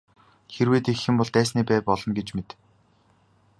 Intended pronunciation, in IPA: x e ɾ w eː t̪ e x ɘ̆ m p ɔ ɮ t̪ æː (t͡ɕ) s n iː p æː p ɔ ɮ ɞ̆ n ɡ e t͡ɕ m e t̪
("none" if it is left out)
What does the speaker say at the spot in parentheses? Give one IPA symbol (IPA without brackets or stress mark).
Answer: none